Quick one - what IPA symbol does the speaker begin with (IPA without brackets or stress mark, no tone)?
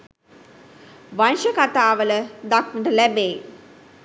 ʋ